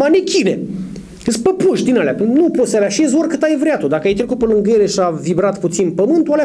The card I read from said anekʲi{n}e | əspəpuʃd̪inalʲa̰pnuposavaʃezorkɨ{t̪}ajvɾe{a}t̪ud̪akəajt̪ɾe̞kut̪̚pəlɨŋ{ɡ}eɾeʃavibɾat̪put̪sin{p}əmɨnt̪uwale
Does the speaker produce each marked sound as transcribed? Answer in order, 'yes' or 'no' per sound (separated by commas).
yes, yes, yes, yes, yes